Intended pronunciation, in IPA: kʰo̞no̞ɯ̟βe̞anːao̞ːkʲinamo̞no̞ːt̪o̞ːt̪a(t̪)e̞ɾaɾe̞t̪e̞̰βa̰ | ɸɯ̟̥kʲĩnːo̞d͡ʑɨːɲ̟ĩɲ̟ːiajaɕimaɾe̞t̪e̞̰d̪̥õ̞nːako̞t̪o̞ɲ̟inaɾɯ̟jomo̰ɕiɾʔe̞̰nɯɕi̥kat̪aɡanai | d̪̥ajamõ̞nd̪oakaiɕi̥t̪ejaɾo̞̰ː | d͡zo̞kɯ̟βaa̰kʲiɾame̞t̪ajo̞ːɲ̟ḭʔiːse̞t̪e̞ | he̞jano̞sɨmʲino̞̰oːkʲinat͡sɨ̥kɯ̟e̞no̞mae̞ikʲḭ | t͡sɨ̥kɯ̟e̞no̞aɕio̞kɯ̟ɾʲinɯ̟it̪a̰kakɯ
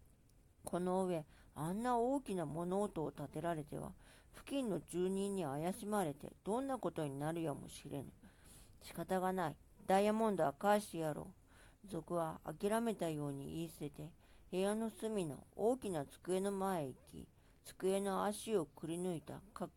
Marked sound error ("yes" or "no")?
no